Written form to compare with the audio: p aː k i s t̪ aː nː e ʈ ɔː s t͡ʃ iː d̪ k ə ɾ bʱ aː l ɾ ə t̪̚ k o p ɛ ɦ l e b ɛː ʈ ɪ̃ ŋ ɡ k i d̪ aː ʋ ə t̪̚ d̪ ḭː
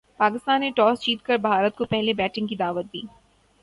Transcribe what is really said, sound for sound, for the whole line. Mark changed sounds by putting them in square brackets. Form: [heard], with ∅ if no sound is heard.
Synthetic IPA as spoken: p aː k [ɪ] s t̪ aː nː e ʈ ɔː s t͡ʃ iː [t̪] k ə ɾ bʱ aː [∅] ɾ ə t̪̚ k o p ɛ ɦ l e b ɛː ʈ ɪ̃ ŋ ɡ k i d̪ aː ʋ ə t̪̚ d̪ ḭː